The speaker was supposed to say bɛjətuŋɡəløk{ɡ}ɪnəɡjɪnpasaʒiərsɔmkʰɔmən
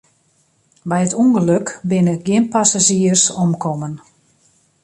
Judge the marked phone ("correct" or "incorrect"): incorrect